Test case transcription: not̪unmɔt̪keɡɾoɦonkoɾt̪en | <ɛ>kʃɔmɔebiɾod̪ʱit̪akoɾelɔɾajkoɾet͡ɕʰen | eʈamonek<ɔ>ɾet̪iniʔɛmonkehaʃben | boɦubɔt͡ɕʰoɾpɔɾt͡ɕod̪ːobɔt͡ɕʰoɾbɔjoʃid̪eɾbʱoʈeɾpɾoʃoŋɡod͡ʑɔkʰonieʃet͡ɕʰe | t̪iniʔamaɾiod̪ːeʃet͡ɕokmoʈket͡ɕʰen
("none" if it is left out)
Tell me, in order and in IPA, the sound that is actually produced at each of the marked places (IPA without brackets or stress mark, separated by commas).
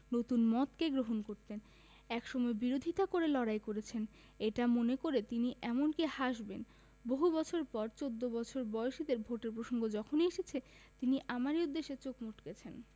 ɛ, o